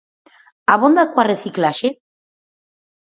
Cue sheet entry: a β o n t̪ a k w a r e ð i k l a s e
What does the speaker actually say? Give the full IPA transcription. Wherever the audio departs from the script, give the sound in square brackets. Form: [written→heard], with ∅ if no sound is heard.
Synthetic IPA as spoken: a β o n [t̪→d̪] a k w a r e [ð→θ] i k l a [s→ʃ] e